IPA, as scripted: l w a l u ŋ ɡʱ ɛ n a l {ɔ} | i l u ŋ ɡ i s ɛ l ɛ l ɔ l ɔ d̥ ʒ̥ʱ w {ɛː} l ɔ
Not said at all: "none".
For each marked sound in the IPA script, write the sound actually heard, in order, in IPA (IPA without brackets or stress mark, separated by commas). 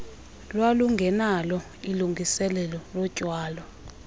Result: ɔ, aː